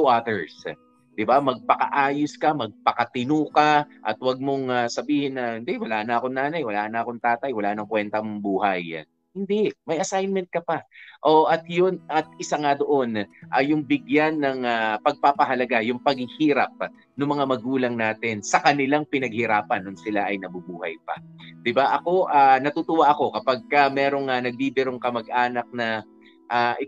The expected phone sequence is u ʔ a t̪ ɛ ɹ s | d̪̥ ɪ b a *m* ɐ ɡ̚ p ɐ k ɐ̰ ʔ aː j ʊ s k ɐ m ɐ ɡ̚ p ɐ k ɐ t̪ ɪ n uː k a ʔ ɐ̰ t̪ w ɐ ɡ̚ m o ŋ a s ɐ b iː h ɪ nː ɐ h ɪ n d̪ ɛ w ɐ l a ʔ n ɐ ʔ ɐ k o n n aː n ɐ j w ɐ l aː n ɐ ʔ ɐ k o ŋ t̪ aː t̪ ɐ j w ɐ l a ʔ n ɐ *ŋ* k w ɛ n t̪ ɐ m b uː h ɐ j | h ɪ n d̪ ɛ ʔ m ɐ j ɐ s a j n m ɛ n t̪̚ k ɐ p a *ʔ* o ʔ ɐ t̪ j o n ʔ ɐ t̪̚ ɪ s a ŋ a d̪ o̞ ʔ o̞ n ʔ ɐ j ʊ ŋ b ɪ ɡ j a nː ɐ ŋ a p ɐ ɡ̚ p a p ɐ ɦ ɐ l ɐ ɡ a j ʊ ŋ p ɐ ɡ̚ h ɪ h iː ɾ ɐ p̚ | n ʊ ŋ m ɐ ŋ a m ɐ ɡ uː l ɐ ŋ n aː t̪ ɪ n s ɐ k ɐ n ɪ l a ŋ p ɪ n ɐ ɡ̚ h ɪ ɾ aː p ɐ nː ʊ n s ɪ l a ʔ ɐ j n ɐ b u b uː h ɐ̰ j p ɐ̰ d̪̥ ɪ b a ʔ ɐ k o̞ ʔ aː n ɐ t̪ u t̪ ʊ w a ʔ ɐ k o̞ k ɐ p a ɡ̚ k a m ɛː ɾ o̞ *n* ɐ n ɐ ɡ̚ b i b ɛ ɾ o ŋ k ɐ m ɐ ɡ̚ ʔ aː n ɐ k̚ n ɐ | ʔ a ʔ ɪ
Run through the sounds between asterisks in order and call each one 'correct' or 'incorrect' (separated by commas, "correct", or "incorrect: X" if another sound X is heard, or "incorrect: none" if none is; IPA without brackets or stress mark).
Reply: correct, correct, correct, incorrect: ŋ